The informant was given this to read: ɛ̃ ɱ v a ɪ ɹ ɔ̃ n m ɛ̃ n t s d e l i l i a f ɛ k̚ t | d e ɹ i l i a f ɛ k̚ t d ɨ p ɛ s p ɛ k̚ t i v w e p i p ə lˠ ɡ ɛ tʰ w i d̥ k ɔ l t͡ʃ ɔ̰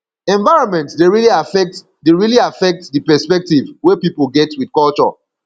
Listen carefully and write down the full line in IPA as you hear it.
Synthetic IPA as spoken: ɛ̃ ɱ v a ɪ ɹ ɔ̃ n m ɛ̃ n t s d e ɹ i l i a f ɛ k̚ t | d e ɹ i l i a f ɛ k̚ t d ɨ p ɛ s p ɛ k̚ t i v w e p i p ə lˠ ɡ ɛ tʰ w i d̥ k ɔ l t͡ʃ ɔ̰

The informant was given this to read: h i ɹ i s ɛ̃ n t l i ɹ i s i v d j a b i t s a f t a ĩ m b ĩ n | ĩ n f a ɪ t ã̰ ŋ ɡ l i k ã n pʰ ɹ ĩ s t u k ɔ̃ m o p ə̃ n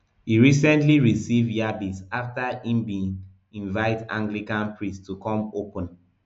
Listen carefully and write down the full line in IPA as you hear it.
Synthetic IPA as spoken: h i ɹ i s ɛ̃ n t l i ɹ i s i v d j a b i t s a f t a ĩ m b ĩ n | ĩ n v a ɪ t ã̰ ŋ ɡ l i k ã n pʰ ɹ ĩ s t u k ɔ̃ m o p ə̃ n

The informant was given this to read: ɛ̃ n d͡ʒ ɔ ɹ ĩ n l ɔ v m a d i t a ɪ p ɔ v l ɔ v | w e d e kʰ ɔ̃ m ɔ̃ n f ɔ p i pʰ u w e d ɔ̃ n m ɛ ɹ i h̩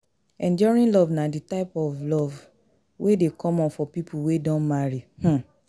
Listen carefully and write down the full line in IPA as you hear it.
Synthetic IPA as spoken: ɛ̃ n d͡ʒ ɔ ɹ ĩ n l ɔ v n a d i t a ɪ p ɔ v l ɔ v | w e d e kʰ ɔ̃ m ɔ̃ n f ɔ p i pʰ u w e d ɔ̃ n m a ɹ i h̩

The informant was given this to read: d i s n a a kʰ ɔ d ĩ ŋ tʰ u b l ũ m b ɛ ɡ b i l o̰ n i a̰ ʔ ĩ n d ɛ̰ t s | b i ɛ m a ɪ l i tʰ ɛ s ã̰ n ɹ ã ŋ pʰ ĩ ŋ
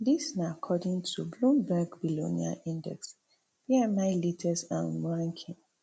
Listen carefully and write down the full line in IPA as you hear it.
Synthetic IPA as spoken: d i s n a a kʰ ɔ d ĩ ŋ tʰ u b l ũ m b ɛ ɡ b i l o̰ n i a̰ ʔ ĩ n d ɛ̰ k s | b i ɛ m a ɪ l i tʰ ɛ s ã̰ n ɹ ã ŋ kʰ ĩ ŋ

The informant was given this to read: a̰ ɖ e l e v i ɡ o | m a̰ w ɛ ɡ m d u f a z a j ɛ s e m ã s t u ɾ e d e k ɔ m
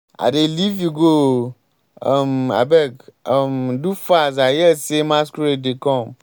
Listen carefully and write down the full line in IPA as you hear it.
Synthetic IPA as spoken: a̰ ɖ e l i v i ɡ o | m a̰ b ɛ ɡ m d u f a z a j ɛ s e m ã s k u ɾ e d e k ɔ m

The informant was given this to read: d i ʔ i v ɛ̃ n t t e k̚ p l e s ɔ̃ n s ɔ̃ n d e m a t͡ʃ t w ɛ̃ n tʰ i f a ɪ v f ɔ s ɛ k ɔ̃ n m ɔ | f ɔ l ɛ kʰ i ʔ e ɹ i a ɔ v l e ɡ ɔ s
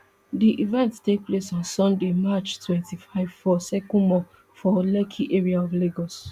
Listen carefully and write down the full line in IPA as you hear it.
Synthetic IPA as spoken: d i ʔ i v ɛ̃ n t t e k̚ p l e s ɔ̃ n s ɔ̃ n d e m a t͡ʃ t w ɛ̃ n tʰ i f a ɪ v f ɔ s ɛ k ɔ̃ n m ɔ | f ɔ l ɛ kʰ i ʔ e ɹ i a ɔ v l e ɡ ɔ s

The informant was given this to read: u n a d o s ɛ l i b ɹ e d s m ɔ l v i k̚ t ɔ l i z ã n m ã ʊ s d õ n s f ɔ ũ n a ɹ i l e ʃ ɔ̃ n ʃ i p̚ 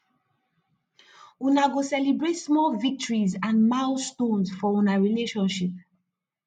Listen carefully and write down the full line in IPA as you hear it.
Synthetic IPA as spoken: u n a ɡ o s ɛ l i b ɹ e t s m ɔ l v i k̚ t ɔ ɹ i z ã n m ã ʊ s t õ n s f ɔ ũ n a ɹ i l e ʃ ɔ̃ n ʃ i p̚

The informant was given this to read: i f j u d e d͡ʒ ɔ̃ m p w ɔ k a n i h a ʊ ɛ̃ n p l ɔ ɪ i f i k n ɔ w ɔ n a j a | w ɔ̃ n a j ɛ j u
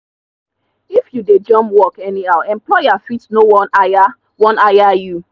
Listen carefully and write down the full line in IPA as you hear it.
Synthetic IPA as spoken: i f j u d e d͡ʒ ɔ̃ m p w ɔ k ɛ n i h a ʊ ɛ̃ m p l ɔ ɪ a f i t n o w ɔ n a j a | w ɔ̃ n a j a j u

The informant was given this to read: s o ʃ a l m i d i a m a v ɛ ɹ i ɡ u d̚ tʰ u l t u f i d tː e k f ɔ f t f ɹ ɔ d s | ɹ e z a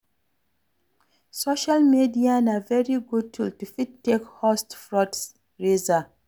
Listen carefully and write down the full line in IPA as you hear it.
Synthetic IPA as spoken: s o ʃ a l m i d i a n a v ɛ ɹ i ɡ u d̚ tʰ u l t u f i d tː e k h ɔ s t f ɹ ɔ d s | ɹ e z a

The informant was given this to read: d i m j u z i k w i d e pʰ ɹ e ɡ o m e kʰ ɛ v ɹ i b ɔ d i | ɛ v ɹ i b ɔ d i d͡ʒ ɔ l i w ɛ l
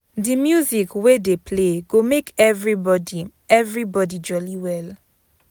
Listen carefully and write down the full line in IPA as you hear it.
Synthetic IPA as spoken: d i m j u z i k w e d e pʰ l e ɡ o m e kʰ ɛ v ɹ i b ɔ d i | ɛ v ɹ i b ɔ d i d͡ʒ ɔ l i w ɛ l

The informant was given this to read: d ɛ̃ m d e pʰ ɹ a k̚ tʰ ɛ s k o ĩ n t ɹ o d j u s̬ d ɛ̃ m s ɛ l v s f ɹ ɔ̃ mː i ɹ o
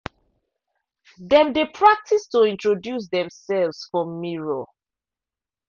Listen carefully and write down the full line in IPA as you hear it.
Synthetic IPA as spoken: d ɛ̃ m d e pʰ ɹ a k̚ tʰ i s t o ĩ n t ɹ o d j u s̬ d ɛ̃ m s ɛ l v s f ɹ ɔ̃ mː i ɹ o

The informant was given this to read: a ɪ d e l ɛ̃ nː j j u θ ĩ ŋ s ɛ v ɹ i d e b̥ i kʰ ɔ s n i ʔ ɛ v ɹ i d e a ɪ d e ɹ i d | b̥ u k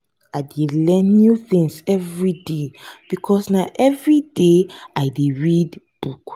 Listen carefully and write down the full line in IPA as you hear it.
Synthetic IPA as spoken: a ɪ d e l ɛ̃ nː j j u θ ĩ ŋ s ɛ v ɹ i d e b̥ i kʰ ɔ s n a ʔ ɛ v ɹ i d e a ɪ d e ɹ i d | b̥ u k

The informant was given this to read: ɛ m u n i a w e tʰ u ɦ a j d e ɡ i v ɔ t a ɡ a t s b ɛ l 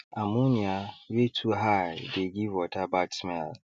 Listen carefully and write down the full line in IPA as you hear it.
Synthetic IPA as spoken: a m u n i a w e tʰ u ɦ a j d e ɡ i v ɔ t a b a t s m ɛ l

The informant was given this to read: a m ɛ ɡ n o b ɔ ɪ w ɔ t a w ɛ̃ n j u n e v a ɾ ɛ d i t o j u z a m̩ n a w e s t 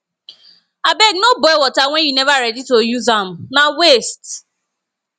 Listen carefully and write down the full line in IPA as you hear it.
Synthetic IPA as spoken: a b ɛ ɡ n o b ɔ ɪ w ɔ t a w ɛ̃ n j u n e v a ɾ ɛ d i t o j u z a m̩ n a w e s t

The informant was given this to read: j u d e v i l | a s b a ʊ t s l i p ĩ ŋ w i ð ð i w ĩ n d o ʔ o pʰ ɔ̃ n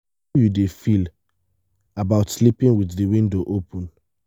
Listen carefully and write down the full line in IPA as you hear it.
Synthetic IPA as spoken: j u d e f i l | a b a ʊ t s l i p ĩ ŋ w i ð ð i w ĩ n d o ʔ o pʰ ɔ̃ n

